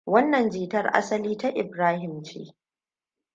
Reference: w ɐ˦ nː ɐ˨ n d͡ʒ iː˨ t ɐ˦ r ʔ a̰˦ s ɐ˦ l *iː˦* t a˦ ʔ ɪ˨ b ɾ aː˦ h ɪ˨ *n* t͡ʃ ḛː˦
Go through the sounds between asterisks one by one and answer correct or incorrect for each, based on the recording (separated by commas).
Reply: correct, incorrect